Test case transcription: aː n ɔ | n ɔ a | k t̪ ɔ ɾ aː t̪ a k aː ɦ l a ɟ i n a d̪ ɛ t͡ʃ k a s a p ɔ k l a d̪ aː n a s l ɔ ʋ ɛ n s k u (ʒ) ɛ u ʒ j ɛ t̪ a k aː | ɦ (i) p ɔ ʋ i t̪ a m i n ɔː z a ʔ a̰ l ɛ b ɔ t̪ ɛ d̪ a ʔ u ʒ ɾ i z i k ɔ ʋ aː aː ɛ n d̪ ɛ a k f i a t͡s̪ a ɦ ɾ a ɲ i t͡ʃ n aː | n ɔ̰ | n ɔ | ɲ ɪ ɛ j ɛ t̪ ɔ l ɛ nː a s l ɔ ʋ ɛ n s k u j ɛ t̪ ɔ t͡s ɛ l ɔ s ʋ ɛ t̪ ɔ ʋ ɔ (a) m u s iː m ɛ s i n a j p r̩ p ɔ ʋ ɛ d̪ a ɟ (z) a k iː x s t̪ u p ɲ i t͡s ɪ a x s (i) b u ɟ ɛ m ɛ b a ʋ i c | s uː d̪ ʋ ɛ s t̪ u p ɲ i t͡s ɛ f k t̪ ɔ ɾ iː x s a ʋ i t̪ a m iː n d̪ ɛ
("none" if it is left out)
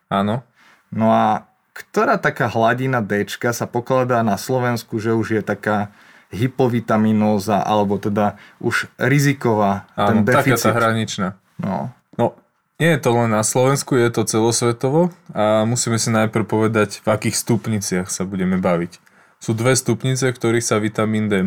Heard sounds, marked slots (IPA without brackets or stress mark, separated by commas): ʒ, i, a, v, a